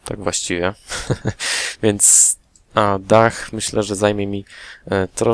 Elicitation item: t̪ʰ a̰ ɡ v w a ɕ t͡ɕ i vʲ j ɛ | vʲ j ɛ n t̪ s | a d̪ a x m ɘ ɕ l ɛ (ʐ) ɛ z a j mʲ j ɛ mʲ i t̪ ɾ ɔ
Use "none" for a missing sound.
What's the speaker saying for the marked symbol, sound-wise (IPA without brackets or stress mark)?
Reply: ʐ